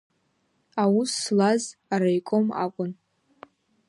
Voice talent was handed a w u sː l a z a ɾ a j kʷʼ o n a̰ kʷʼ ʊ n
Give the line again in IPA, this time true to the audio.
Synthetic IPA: a w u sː l a z a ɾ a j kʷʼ o m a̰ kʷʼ ʊ n

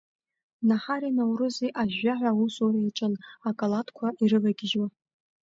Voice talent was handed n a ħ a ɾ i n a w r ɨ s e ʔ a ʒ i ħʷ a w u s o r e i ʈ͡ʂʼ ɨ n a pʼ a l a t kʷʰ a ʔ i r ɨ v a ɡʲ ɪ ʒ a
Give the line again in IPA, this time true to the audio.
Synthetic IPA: n a ħ a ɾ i n a w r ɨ z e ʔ a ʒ a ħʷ a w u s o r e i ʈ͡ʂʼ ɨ n a kʼ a l a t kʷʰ a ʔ i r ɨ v a ɡʲ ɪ ʒ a

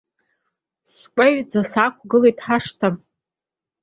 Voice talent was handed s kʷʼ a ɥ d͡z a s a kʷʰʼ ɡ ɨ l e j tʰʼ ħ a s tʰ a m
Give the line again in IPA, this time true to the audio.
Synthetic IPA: s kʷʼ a ɥ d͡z a s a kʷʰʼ ɡ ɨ l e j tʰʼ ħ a ʂ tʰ a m

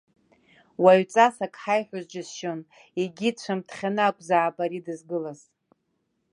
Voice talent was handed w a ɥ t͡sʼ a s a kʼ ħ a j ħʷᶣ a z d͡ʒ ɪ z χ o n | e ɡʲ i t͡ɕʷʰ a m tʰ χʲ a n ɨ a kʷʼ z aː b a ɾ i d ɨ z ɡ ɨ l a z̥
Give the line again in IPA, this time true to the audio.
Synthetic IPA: w a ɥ t͡sʼ a s a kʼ ħ a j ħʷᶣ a z d͡ʒ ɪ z ʃ o n | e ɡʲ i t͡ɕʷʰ a m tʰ χʲ a n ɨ a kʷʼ z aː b a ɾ i d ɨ z ɡ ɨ l a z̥

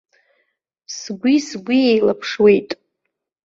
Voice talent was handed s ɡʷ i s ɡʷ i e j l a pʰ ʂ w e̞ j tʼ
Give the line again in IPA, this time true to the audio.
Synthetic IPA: s ɡʷ i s ɡʷ i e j l a pʰ ʂ w e̞ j tʼ

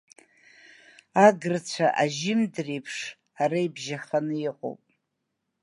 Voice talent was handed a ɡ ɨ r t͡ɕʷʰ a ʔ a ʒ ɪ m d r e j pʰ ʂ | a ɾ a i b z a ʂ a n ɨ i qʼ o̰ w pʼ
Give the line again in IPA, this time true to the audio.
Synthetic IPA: a ɡ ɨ r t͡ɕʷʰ a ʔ a ʒ ɪ m d r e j pʰ ʂ | a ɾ a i b ʒ a χ a n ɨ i qʼ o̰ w pʼ

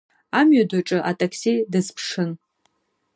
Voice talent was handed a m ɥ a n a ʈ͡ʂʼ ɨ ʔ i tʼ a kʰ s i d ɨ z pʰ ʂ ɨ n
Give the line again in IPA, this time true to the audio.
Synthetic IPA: a m ɥ a d a ʈ͡ʂʼ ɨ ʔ a tʼ a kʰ s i d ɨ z pʰ ʂ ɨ n

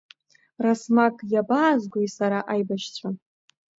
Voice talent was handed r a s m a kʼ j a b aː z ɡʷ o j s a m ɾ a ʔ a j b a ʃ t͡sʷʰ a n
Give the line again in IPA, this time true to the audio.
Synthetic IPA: r a s m a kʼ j a b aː z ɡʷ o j s a ɾ a ʔ a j b a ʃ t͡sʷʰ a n

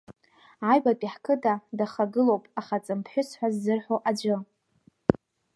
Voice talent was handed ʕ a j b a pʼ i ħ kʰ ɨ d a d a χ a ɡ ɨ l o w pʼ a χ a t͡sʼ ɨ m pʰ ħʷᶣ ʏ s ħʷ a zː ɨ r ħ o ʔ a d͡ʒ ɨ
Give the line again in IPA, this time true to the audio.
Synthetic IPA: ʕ a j b a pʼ i ħ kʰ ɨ d a d a χ a ɡ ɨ l o w pʼ a χ a t͡sʼ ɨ m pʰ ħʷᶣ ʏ s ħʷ a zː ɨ r ħ o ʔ a d͡ʒ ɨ

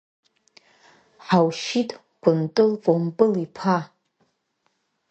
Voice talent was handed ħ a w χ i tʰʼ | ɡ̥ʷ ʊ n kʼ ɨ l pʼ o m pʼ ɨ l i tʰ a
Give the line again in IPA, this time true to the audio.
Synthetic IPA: ħ a w ʃ i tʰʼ | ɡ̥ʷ ʊ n tʼ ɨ l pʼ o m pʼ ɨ l i pʰ a

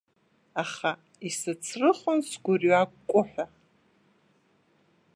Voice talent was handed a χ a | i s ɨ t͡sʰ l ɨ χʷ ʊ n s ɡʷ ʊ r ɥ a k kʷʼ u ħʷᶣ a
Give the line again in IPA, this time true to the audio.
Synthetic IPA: a χ a | i s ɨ t͡sʰ r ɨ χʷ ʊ n s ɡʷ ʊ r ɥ a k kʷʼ ʊ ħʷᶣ a

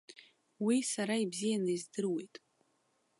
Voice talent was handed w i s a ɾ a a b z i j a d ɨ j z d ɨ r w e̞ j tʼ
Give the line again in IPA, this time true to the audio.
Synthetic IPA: w i s a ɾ a i b z i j a n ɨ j z d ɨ r w e̞ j tʼ

